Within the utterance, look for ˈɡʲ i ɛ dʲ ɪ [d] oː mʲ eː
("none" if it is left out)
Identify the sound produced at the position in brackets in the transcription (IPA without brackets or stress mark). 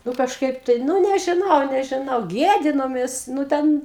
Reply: n